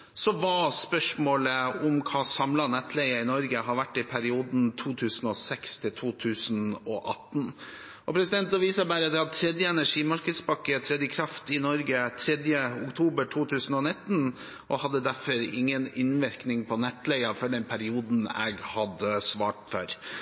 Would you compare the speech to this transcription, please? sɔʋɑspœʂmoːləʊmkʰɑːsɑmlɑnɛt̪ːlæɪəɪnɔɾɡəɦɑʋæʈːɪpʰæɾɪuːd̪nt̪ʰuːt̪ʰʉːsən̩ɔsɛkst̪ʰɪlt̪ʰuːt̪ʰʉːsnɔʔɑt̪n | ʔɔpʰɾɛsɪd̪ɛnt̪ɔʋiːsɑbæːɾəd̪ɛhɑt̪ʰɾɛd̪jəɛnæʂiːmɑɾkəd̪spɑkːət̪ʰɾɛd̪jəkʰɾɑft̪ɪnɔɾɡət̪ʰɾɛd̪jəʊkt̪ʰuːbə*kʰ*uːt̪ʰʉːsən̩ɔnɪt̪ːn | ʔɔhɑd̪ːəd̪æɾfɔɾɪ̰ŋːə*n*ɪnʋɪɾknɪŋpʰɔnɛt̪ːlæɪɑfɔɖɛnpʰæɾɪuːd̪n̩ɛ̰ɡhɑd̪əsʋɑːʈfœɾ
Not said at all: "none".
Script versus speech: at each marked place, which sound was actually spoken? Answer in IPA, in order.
ʈʰ, n

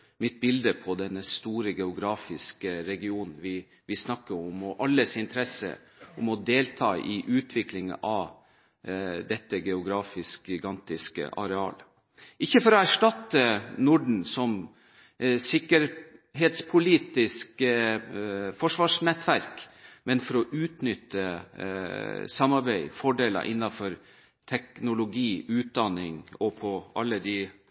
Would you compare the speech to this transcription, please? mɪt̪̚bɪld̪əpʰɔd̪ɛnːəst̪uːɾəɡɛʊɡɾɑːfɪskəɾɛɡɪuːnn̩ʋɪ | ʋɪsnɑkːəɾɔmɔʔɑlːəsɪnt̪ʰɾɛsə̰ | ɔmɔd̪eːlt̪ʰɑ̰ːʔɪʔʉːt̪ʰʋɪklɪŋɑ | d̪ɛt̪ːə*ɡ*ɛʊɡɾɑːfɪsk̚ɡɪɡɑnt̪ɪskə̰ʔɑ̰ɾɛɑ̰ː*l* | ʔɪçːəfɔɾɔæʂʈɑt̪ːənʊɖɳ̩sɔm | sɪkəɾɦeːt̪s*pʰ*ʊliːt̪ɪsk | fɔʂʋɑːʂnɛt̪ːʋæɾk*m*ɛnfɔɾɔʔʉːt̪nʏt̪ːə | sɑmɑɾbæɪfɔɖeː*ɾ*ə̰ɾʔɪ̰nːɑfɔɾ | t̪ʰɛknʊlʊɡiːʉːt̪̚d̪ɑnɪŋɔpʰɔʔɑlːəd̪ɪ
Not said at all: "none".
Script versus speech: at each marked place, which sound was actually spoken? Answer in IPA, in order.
ɡ, l, pʰ, m, l

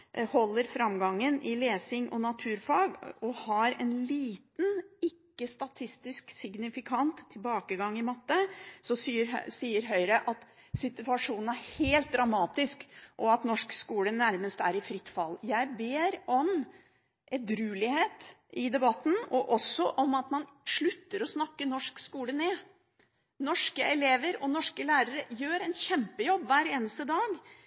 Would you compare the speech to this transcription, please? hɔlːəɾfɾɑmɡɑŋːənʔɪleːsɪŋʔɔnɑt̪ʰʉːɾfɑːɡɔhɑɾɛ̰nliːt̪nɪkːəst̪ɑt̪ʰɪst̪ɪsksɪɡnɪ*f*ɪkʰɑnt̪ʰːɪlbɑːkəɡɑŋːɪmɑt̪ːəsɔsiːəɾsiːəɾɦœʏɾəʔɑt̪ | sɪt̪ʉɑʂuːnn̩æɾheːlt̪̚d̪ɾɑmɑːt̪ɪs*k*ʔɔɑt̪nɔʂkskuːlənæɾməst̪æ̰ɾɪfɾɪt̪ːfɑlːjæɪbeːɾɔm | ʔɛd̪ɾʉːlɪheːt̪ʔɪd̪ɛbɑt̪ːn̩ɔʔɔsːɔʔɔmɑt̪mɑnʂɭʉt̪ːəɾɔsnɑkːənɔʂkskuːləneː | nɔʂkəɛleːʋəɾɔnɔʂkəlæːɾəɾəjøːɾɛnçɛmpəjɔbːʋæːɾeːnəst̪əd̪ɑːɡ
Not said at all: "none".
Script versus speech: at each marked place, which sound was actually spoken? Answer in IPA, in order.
f, k

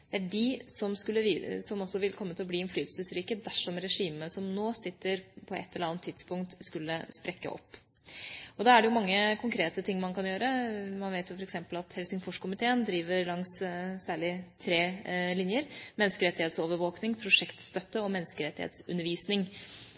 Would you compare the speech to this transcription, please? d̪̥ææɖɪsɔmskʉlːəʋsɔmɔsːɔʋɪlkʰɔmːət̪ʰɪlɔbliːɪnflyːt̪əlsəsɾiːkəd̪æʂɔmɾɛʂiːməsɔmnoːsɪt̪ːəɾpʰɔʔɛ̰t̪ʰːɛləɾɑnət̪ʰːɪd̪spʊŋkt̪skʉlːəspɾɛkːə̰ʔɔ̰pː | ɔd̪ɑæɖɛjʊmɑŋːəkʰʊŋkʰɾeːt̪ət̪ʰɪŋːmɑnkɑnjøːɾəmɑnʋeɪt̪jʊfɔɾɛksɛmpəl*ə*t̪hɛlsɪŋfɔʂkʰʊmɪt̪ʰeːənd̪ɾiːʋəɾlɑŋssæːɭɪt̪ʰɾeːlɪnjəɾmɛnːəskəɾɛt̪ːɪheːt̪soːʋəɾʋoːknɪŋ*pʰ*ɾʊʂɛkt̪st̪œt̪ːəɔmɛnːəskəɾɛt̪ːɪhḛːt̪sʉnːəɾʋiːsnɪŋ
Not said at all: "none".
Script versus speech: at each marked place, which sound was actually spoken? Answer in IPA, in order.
ɑ, pʰ

